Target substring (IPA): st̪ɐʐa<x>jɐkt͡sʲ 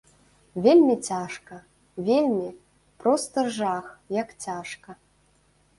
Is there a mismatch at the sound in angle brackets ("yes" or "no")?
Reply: no